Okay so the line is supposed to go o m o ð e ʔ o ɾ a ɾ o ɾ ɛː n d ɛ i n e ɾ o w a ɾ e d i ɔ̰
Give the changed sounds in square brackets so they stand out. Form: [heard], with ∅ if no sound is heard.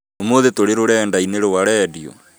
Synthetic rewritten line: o m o ð e [t] o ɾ [e] ɾ o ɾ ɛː n d [a] i n e ɾ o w a ɾ [ɛ] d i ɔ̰

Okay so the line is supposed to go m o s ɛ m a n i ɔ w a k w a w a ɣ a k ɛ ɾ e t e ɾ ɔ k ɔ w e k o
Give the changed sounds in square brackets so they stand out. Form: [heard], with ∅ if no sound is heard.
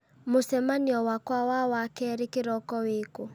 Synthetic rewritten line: m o s ɛ m a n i ɔ w a k w a w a [w] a k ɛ ɾ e [k] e ɾ ɔ k ɔ w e k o

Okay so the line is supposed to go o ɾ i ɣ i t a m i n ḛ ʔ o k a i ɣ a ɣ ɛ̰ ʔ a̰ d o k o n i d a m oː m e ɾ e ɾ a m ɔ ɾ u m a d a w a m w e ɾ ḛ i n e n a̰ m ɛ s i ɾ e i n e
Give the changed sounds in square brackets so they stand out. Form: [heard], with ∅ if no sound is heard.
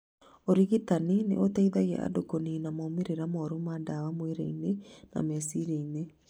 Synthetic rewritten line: o ɾ i ɣ i t a [n] i n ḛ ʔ o [t] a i [ð] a ɣ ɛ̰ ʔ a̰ d o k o n i [n] a m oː m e ɾ e ɾ a m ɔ ɾ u m a d a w a m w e ɾ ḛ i n e n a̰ m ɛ s i ɾ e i n e

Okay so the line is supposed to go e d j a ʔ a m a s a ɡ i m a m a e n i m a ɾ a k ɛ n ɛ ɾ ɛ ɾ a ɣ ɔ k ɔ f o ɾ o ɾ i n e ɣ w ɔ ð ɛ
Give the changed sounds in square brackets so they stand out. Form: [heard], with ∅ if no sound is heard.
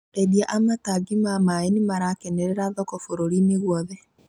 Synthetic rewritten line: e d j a ʔ a m a [t] a ɡ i m a m a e n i m a ɾ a k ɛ n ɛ ɾ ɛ ɾ a [ð] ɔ k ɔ f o ɾ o ɾ i n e ɣ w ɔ ð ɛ

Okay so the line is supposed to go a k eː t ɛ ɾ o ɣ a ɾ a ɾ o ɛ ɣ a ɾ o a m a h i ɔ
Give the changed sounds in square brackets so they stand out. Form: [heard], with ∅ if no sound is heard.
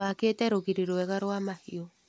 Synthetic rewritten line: a k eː t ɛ ɾ o ɣ [i] ɾ [i] ɾ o ɛ ɣ a ɾ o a m a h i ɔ

